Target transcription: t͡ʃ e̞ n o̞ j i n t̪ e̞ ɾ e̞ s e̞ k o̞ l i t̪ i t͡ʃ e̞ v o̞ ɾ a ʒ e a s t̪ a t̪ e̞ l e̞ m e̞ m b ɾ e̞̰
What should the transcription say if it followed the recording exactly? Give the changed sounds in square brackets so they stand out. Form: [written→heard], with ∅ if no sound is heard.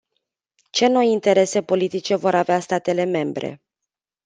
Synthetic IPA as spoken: t͡ʃ e̞ n o̞ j i n t̪ e̞ ɾ e̞ s e̞ [k→p] o̞ l i t̪ i t͡ʃ e̞ v o̞ ɾ a [ʒ→v] e a s t̪ a t̪ e̞ l e̞ m e̞ m b ɾ e̞̰